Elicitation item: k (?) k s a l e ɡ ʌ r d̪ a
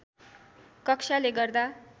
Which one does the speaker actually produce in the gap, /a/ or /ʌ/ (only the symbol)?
ʌ